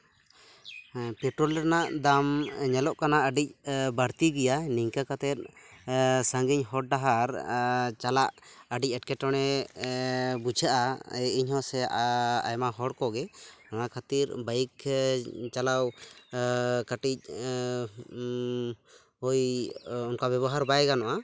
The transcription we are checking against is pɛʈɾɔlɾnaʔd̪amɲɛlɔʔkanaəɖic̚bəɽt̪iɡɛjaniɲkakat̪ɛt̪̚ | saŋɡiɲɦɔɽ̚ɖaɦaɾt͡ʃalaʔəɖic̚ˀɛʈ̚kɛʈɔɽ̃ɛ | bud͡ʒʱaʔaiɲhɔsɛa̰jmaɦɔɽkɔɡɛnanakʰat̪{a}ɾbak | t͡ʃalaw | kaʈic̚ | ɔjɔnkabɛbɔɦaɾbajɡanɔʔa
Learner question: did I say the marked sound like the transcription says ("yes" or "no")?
no